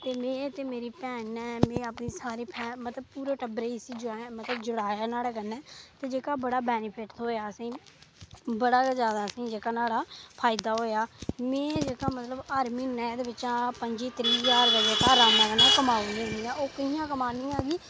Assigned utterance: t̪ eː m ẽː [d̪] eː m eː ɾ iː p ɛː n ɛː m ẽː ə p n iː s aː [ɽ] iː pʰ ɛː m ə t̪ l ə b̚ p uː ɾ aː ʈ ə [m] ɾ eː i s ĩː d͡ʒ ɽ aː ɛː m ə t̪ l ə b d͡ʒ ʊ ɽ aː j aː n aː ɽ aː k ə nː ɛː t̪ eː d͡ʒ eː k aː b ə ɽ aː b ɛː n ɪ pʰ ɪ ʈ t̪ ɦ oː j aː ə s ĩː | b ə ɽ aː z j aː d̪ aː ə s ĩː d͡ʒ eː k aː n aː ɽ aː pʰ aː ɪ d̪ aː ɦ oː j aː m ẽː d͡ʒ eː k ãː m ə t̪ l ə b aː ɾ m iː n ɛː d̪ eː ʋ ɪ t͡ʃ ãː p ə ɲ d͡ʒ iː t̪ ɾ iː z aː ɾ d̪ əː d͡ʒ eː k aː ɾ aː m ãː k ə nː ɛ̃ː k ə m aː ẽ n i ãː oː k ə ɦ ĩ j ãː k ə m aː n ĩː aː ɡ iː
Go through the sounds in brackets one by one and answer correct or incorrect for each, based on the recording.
incorrect, incorrect, incorrect

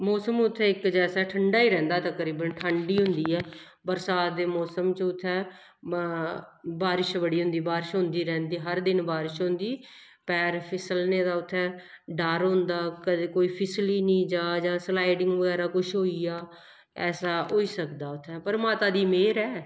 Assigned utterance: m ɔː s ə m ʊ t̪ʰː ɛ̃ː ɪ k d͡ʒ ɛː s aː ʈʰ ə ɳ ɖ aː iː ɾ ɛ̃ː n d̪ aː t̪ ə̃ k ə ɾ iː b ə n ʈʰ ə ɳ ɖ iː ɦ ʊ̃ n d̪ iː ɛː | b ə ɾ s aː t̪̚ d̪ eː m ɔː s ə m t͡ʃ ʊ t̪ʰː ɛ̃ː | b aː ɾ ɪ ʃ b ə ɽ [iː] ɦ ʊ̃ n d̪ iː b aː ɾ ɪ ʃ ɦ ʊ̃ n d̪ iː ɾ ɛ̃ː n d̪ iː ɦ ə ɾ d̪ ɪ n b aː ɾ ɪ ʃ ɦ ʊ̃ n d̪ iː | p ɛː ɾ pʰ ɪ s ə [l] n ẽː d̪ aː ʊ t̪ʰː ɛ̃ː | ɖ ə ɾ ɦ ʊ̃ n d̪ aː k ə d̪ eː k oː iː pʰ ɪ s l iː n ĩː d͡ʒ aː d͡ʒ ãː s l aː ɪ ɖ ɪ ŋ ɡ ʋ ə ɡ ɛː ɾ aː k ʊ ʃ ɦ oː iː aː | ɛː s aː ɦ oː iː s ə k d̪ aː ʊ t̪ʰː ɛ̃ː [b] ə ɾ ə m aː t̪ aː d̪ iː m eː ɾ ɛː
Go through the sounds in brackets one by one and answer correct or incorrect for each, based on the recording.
correct, correct, incorrect

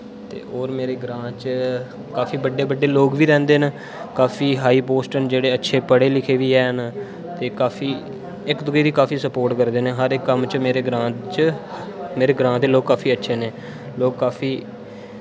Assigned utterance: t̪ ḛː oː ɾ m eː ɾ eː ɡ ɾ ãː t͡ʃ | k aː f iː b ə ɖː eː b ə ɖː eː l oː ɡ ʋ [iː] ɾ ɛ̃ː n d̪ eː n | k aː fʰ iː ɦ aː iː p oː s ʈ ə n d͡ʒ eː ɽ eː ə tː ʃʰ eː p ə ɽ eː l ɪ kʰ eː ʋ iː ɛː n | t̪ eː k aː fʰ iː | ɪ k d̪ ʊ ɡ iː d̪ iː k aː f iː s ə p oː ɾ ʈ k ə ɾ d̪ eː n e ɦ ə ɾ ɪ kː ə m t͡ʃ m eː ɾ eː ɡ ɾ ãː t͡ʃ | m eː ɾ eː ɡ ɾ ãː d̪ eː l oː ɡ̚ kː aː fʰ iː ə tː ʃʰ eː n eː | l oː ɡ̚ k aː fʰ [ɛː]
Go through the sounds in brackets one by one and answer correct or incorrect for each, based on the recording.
correct, incorrect

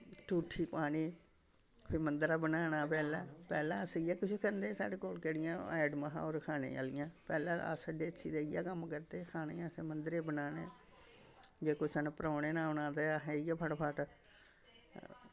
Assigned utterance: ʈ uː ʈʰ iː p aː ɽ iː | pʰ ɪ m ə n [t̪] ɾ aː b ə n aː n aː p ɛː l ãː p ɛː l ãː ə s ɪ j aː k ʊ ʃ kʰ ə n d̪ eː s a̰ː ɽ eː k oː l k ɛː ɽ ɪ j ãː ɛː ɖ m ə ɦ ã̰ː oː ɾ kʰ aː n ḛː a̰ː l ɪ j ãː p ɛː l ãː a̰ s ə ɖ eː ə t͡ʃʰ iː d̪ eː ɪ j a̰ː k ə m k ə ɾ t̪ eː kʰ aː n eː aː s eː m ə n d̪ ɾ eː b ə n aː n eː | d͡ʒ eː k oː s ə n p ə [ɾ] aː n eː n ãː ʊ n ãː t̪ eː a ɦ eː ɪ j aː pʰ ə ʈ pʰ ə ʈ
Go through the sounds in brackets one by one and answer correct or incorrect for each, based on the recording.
incorrect, correct

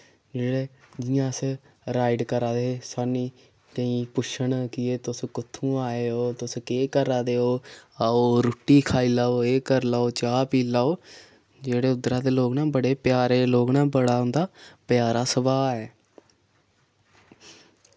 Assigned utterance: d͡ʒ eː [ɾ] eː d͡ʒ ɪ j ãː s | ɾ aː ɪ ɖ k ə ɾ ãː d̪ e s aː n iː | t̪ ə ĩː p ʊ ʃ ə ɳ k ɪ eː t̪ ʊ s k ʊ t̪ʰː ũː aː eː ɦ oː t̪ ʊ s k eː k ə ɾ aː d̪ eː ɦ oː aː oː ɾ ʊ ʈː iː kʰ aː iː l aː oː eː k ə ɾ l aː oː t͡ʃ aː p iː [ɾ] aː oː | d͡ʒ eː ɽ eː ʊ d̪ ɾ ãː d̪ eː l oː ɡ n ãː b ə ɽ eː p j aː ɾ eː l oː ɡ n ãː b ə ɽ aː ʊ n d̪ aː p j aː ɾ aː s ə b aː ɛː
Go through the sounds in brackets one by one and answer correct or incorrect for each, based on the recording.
incorrect, incorrect

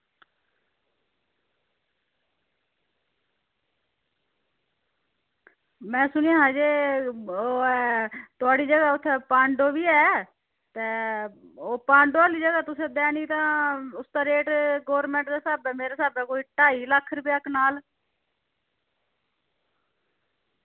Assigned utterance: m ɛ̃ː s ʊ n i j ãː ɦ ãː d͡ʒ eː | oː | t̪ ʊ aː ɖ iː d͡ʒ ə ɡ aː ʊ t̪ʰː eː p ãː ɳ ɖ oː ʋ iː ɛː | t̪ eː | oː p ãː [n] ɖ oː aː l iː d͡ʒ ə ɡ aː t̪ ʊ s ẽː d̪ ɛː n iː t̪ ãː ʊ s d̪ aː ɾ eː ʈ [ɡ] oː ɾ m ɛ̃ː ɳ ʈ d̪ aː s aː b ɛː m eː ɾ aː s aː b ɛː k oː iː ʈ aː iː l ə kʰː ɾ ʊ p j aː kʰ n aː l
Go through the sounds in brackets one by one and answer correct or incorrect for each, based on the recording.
incorrect, correct

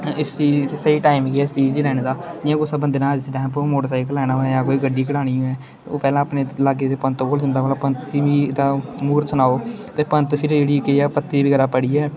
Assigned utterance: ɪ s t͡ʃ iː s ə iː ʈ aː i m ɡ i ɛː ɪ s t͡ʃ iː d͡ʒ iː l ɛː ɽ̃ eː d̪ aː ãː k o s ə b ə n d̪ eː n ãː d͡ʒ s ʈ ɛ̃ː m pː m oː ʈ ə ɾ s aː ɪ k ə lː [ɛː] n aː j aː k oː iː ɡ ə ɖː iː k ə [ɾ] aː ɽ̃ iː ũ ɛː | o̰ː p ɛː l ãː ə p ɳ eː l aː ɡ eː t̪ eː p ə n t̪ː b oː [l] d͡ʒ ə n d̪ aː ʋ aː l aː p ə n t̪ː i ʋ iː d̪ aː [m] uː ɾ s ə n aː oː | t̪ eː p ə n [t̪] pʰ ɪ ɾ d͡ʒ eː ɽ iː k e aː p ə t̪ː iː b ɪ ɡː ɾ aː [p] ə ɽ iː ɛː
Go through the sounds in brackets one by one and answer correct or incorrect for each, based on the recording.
correct, incorrect, correct, correct, correct, correct

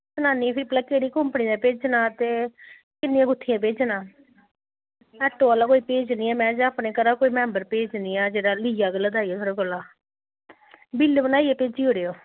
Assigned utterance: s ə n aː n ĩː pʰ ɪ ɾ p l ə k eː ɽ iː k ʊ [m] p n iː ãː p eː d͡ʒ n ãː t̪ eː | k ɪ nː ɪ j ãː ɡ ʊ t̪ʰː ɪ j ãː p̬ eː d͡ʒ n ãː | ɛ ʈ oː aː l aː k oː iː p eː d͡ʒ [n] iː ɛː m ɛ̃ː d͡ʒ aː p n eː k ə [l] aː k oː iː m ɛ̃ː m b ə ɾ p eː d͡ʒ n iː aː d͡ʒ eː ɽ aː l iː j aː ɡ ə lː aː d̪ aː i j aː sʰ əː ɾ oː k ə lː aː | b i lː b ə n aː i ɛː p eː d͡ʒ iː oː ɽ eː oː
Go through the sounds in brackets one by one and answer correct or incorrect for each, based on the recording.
correct, correct, incorrect

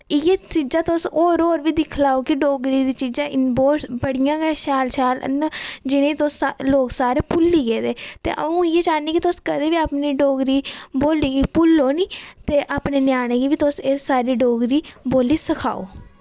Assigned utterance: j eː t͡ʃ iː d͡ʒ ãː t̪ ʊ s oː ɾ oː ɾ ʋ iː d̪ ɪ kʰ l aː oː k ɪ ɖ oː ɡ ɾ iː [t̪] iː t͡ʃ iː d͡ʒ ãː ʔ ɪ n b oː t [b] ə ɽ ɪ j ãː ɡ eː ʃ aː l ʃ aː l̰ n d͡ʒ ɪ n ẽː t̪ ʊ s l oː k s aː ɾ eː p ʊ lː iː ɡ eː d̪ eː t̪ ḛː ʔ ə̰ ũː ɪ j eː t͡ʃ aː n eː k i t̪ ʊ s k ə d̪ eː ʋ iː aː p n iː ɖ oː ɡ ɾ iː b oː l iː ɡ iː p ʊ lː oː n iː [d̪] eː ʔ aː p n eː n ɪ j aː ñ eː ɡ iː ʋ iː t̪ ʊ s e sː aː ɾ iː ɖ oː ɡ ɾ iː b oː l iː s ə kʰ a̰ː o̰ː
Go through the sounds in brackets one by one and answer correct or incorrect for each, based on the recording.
incorrect, correct, incorrect

